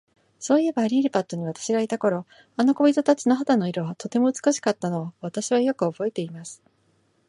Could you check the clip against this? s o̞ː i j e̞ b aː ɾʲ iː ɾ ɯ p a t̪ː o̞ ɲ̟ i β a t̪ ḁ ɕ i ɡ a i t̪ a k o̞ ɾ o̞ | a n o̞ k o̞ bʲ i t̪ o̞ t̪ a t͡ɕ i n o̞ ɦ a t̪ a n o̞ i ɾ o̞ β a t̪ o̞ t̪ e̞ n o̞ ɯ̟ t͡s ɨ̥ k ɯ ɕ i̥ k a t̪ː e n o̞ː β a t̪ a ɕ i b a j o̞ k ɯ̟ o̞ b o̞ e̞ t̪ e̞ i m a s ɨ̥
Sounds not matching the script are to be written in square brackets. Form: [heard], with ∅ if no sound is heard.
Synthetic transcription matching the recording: s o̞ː i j e̞ b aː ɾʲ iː ɾ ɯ p a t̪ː o̞ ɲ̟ i β a t̪ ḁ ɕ i ɡ a i t̪ a k o̞ ɾ o̞ | a n o̞ k o̞ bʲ i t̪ o̞ t̪ a t͡ɕ i n o̞ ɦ a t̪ a n o̞ i ɾ o̞ β a t̪ o̞ t̪ e̞ [m] o̞ ɯ̟ t͡s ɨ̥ k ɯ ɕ i̥ k a t̪ː [a] n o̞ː β a t̪ a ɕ i [β] a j o̞ k ɯ̟ o̞ b o̞ e̞ t̪ e̞ i m a s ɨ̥